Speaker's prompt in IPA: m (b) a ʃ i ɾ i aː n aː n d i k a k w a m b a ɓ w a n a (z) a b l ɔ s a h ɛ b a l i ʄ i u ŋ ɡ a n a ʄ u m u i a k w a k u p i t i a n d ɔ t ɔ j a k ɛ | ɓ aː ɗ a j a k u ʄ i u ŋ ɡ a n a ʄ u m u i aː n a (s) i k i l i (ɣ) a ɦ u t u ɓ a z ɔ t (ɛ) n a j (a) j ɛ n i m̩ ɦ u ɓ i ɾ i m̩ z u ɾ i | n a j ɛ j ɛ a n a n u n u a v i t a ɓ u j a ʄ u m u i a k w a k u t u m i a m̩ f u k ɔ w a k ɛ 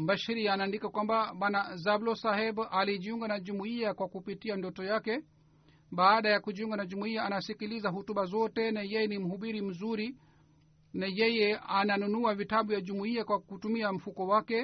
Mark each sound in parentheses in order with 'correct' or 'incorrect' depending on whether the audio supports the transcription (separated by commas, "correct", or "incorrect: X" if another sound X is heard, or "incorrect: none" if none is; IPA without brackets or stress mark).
correct, correct, correct, incorrect: z, correct, incorrect: ɛ